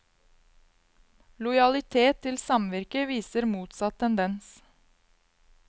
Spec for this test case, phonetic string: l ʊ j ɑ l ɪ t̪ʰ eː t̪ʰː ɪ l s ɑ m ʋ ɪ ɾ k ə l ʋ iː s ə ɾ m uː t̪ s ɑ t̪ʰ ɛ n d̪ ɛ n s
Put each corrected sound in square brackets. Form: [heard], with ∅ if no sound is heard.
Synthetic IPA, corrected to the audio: l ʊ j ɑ l ɪ t̪ʰ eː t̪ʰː ɪ l s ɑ m ʋ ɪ ɾ k ə [∅] ʋ iː s ə ɾ m uː t̪ s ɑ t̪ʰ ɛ n d̪ ɛ n s

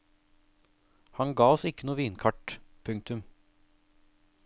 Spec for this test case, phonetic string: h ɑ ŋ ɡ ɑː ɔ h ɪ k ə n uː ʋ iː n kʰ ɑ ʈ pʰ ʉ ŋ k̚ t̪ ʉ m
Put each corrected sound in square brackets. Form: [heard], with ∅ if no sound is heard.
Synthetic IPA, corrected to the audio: h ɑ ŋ ɡ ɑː ɔ [s] ɪ k ə n uː ʋ iː n kʰ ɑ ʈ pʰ ʉ ŋ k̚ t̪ ʉ m

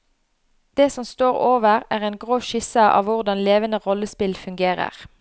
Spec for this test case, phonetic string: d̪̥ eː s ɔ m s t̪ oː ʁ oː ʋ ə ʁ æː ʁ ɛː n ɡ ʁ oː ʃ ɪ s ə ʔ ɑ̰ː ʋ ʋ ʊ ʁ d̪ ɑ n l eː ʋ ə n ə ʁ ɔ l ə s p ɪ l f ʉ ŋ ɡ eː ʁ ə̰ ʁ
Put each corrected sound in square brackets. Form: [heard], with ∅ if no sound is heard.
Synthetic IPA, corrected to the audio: d̪̥ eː s ɔ m s t̪ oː ʁ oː ʋ ə ʁ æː ʁ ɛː n ɡ ʁ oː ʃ ɪ s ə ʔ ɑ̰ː ʋ ʋ ʊ ʁ d̪ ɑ n l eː ʋ ə n ə ʁ ɔ l ə s p ɪ l f ʉ ŋ ɡ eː ʁ ə̰ ʁ

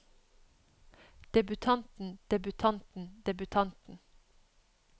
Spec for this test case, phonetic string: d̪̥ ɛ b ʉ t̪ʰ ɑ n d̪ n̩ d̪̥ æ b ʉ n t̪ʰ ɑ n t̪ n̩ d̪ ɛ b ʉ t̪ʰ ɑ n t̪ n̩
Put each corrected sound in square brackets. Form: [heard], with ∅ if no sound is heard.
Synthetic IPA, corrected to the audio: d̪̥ ɛ b ʉ t̪ʰ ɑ n [t̪] n̩ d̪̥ [ɛ] b ʉ [∅] t̪ʰ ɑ n t̪ n̩ d̪ ɛ b ʉ t̪ʰ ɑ n t̪ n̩

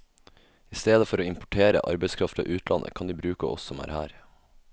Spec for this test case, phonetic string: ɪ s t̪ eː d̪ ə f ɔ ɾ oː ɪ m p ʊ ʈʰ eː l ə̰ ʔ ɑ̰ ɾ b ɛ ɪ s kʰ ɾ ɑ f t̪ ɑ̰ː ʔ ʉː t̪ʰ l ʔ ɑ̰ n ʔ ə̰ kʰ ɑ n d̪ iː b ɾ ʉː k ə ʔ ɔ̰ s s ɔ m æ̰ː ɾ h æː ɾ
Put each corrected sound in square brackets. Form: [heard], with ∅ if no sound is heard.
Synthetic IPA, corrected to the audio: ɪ s t̪ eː d̪ ə f ɔ ɾ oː ɪ m p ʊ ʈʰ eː [ɾ] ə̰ ʔ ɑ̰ ɾ b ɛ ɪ s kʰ ɾ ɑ f t̪ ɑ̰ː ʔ ʉː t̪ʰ l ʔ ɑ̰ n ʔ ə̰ kʰ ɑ n d̪ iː b ɾ ʉː k ə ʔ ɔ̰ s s ɔ m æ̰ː ɾ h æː ɾ

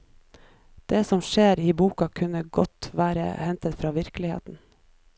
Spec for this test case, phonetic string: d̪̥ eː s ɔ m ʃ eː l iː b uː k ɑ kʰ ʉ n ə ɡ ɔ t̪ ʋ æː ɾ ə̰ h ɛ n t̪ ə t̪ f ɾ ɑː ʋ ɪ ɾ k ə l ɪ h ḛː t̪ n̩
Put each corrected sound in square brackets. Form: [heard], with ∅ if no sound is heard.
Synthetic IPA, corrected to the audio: d̪̥ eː s ɔ m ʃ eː [ɾ] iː b uː k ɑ kʰ ʉ n ə ɡ ɔ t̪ ʋ æː ɾ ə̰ h ɛ n t̪ ə t̪ f ɾ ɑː ʋ ɪ ɾ k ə l ɪ h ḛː t̪ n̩

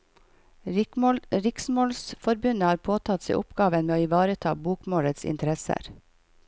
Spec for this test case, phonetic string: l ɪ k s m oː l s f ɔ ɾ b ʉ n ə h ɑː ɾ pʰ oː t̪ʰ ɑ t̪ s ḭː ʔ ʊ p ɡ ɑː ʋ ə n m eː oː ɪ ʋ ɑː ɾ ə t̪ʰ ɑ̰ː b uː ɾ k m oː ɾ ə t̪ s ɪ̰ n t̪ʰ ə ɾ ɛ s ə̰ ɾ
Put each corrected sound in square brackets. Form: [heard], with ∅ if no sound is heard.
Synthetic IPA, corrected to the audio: [ɾ] ɪ k s m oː l s f ɔ ɾ b ʉ n ə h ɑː ɾ pʰ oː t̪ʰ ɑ t̪ s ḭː ʔ ʊ p ɡ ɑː ʋ ə n m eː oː ɪ ʋ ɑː ɾ ə t̪ʰ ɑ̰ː b uː [∅] k m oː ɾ ə t̪ s ɪ̰ n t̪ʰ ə ɾ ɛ s ə̰ ɾ

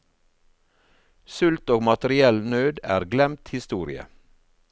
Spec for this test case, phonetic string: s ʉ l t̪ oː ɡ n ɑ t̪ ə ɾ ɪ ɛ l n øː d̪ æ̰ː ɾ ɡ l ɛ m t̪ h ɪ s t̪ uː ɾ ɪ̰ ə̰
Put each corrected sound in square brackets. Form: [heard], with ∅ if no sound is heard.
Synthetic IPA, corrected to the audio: s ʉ l t̪ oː ɡ [m] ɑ t̪ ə ɾ ɪ ɛ l n øː d̪ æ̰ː ɾ ɡ l ɛ m t̪ h ɪ s t̪ uː ɾ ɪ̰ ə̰

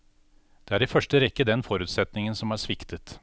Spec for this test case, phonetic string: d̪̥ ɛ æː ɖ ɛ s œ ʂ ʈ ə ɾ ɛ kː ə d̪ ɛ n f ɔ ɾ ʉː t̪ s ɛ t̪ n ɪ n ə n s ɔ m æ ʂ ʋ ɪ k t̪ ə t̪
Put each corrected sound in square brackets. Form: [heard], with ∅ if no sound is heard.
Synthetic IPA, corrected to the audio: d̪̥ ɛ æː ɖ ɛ [f] œ ʂ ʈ ə ɾ ɛ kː ə d̪ ɛ n f ɔ ɾ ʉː t̪ s ɛ t̪ n ɪ [ŋ] ə n s ɔ m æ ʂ ʋ ɪ k t̪ ə t̪

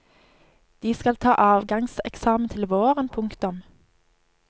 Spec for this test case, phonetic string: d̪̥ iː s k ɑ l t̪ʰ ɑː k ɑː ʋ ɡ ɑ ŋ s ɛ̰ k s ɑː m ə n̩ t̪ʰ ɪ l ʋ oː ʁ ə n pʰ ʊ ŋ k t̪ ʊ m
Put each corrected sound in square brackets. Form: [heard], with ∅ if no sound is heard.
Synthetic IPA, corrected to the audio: d̪̥ iː s k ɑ l t̪ʰ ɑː [ʔ] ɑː ʋ ɡ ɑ ŋ s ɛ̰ k s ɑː m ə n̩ t̪ʰ ɪ l ʋ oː ʁ ə n pʰ ʊ ŋ k t̪ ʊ m

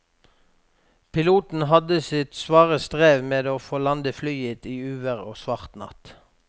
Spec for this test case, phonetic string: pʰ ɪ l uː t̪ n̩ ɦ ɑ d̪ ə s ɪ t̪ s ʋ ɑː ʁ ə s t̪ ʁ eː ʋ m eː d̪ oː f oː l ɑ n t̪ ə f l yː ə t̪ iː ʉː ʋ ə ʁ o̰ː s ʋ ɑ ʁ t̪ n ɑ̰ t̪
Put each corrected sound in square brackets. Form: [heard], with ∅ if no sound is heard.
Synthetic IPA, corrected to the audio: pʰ ɪ l uː t̪ n̩ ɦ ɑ d̪ ə s ɪ t̪ s ʋ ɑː ʁ ə s t̪ ʁ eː ʋ m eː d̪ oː f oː l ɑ n [d̪] ə f l yː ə t̪ iː ʉː ʋ ə ʁ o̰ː s ʋ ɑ ʁ t̪ n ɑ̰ t̪

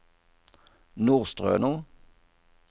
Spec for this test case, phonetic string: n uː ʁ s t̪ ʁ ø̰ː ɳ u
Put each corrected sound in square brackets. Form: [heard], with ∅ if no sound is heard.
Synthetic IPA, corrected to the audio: n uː ʁ s t̪ ʁ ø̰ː [n] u

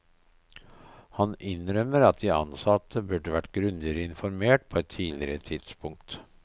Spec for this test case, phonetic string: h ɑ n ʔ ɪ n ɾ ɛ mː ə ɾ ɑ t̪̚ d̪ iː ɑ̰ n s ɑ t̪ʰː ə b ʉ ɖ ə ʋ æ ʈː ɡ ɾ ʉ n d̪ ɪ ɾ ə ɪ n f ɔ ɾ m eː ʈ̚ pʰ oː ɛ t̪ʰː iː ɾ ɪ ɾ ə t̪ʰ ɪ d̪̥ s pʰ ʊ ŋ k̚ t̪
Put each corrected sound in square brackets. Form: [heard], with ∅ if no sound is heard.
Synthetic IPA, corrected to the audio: h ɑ n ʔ ɪ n ɾ [œ] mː ə ɾ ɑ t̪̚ d̪ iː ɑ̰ n s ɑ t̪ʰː ə b ʉ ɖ ə ʋ æ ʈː ɡ ɾ ʉ n d̪ ɪ ɾ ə ɪ n f ɔ ɾ m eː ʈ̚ pʰ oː ɛ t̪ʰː iː [l] ɪ ɾ ə t̪ʰ ɪ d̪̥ s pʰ ʊ ŋ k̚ t̪

